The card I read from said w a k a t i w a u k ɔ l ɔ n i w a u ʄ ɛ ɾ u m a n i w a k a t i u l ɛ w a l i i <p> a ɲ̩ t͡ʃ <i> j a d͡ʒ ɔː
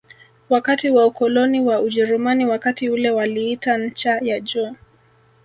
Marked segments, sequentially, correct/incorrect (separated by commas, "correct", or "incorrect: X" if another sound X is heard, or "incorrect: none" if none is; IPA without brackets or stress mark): incorrect: t, incorrect: a